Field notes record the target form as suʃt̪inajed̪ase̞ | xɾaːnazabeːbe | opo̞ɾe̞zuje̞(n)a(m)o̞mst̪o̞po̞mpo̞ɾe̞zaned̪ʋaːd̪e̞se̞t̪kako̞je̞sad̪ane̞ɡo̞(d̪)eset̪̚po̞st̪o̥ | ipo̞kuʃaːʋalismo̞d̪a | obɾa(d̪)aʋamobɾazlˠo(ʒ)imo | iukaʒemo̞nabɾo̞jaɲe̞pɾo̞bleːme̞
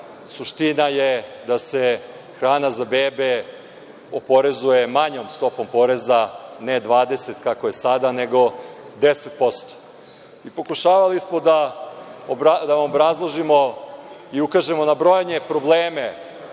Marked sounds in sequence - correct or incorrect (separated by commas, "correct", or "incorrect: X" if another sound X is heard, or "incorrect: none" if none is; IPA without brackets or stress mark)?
incorrect: m, incorrect: ɲ, correct, correct, correct